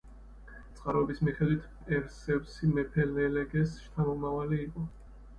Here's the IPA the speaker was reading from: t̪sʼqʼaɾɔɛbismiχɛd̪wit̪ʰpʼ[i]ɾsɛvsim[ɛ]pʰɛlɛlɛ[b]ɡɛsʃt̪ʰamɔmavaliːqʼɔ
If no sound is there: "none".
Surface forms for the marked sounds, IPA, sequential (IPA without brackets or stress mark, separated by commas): ɛ, ɛ, none